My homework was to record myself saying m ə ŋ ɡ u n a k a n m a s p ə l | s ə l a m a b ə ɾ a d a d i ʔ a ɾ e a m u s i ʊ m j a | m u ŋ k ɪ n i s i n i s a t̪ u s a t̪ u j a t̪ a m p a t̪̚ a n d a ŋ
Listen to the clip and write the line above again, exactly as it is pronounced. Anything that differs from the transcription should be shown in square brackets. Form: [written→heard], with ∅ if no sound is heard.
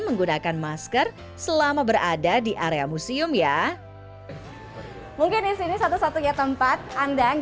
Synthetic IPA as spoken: m ə ŋ ɡ u n a k a n m a s [p→k] ə [l→r] | s ə l a m a b ə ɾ a d a d i ʔ a ɾ e a m u s i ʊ m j a | m u ŋ k ɪ n i s i n i s a t̪ u s a t̪ u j a t̪ [a→ə] m p a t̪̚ a n d a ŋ

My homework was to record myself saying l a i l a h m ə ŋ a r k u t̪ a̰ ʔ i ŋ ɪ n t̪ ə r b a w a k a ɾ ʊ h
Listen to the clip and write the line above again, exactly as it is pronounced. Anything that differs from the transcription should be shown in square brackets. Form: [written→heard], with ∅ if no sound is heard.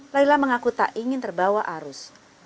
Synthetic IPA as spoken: l a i l a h m ə ŋ a [r→∅] k u t̪ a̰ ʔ i ŋ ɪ n t̪ ə r b a w a [k→ʔ] a ɾ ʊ [h→s]

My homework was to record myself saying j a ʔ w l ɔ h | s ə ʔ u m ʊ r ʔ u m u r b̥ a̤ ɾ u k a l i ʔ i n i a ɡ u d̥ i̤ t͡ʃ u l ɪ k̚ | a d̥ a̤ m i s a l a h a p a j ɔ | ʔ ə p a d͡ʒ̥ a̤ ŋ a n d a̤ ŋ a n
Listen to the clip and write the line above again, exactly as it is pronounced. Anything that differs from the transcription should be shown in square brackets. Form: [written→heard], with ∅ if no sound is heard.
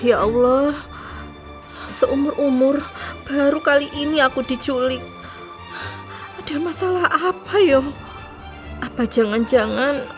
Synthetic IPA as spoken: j a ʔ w l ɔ h | s ə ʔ u m ʊ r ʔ u m [u→ʊ] r b̥ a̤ ɾ u k a l i ʔ i n i a [ɡ→k] u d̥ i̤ t͡ʃ u l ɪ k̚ | a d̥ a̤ m [i→a] s a l a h a p a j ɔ | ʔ [ə→a] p a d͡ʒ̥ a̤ ŋ a n [d→d͡ʒ] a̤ ŋ a n

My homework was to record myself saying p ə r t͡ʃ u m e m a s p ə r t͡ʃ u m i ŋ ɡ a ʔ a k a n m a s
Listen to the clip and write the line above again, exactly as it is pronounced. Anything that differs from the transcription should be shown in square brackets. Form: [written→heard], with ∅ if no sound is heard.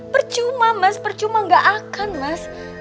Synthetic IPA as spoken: p ə r t͡ʃ u m [e→a] m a s p ə r t͡ʃ u m [i→a] ŋ ɡ a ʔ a k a n m a s

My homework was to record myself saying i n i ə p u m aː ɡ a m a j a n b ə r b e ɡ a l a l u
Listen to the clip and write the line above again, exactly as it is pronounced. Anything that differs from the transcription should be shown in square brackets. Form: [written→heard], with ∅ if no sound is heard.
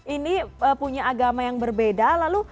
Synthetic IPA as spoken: i n i ə p u [m→ɲ] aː ɡ a m a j a [n→ŋ] b ə r b e [ɡ→d] a l a l u

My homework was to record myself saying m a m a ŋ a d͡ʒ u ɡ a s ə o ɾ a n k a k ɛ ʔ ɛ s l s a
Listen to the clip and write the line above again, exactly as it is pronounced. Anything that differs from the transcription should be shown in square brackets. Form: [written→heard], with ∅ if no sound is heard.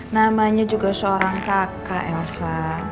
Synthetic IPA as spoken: [m→n] a m a [ŋ→ɲ] a d͡ʒ u ɡ a s ə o ɾ a [n→ŋ] k a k [ɛ→a] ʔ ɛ [s→∅] l s a

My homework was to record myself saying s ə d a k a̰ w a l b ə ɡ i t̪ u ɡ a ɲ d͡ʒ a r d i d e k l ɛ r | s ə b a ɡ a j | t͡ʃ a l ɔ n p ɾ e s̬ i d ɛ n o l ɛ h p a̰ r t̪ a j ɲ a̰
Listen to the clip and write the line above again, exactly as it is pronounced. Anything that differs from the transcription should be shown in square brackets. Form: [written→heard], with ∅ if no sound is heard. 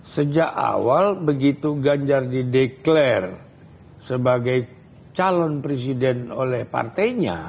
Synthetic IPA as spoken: s ə [d→d͡ʒ] a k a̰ w a l b ə ɡ i t̪ u ɡ a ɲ d͡ʒ a r d i d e k l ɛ r | s ə b a ɡ a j | t͡ʃ a l ɔ n p ɾ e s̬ i d ɛ n o l ɛ h p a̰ r t̪ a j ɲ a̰

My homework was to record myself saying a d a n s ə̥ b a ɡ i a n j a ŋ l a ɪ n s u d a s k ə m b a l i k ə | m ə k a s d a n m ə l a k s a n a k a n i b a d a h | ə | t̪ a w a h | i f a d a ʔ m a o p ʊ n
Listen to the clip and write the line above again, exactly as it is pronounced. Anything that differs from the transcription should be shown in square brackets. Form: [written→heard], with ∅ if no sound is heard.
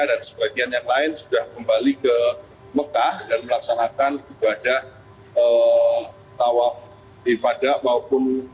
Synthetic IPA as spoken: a d a n s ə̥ b a ɡ i a n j a ŋ l a ɪ n s u d a [s→h] k ə m b a l i k ə | m ə k a [s→h] d a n m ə l a k s a n a k a n i b a d a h | ə | t̪ a w a [h→f] | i f a d a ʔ m a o p ʊ n

